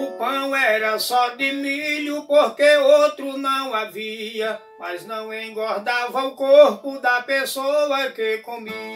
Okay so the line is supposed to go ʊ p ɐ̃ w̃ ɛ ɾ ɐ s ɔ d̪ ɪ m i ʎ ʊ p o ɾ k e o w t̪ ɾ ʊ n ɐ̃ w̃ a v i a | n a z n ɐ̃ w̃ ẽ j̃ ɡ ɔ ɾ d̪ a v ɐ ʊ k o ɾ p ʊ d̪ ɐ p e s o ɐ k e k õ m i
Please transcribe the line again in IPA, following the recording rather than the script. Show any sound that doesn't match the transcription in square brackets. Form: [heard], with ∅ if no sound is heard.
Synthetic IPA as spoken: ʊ p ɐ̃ w̃ ɛ ɾ ɐ s ɔ d̪ ɪ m i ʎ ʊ p o ɾ k e o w t̪ ɾ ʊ n ɐ̃ w̃ a v i [ɐ] | [m] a z n ɐ̃ w̃ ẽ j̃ ɡ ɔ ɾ d̪ a v ɐ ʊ k o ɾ p ʊ d̪ ɐ p e s o ɐ k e k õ m i